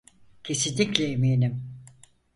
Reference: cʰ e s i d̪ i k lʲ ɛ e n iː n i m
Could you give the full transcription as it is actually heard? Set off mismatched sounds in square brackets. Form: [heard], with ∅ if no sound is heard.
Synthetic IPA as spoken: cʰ e s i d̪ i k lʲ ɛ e [m] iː n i m

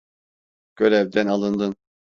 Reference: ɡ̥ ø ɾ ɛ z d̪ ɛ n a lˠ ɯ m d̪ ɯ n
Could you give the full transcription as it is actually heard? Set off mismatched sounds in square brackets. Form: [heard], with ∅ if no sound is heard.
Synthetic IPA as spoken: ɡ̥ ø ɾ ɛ [v] d̪ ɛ n a lˠ ɯ [n] d̪ ɯ n

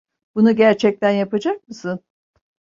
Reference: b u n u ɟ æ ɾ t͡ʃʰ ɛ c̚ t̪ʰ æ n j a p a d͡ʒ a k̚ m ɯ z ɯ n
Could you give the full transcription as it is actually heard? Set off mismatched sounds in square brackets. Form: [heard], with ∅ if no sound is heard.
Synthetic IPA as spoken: b u n u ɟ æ ɾ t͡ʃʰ ɛ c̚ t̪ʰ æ n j a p a d͡ʒ a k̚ m ɯ [s] ɯ n

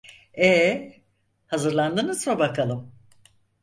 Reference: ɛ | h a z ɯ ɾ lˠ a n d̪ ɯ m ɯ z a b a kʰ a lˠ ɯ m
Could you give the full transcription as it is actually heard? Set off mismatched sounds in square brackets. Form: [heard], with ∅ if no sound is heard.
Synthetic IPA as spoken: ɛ | h a z ɯ ɾ lˠ a n d̪ ɯ [n] ɯ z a b a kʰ a lˠ ɯ m

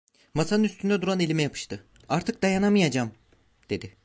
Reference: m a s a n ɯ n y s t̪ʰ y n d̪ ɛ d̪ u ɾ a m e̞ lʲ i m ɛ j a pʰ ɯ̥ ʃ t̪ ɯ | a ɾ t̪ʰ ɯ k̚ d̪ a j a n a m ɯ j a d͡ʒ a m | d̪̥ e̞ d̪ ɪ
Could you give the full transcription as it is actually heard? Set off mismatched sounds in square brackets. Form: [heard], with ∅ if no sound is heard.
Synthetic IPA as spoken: m a s a n ɯ n y s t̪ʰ y n d̪ ɛ d̪ u ɾ a [n] e̞ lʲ i m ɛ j a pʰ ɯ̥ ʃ t̪ ɯ | a ɾ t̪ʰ ɯ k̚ d̪ a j a n a m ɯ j a d͡ʒ a m | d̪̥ e̞ d̪ ɪ

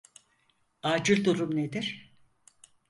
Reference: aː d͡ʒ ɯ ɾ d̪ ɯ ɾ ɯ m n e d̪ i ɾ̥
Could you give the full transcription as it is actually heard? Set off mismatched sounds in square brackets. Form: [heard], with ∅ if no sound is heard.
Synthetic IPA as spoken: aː d͡ʒ ɯ ɾ d̪ [u] ɾ [u] m n e d̪ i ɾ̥

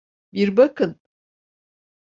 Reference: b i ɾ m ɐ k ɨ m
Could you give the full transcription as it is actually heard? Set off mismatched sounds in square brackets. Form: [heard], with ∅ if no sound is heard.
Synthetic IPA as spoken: b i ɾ [b] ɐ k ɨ [n]

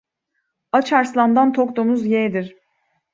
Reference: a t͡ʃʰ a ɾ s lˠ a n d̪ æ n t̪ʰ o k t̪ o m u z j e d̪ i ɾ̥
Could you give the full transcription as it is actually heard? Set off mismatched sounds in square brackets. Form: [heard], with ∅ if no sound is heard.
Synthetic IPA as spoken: a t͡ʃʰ a ɾ s lˠ a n d̪ [a] n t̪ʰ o k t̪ o m u z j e d̪ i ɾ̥

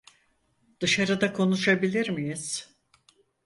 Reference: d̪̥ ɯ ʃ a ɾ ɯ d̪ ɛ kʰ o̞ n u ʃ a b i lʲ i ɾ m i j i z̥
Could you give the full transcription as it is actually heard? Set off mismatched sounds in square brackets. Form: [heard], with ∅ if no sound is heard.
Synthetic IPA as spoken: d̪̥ ɯ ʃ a ɾ ɯ d̪ [a] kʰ o̞ n u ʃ a b i lʲ i ɾ m i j i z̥

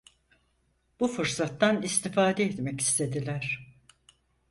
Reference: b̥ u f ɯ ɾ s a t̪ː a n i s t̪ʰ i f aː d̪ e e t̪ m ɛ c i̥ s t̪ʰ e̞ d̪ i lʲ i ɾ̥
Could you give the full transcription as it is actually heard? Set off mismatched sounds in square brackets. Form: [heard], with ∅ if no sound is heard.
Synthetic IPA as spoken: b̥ u f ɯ ɾ s a t̪ː a n i s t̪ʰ i f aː d̪ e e t̪ m ɛ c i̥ s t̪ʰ e̞ d̪ i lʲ [æ] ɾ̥

